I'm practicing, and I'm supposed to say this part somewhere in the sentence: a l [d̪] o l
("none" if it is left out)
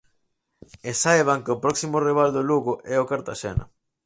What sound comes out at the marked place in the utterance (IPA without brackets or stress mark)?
d̪